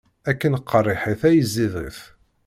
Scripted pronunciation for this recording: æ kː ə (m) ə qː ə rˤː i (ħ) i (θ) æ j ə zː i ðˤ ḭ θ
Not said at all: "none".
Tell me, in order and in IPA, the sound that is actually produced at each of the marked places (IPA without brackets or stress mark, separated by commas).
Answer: n, ħ, θ